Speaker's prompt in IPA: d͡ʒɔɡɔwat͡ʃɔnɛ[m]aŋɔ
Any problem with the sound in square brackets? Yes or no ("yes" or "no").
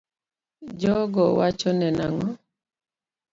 yes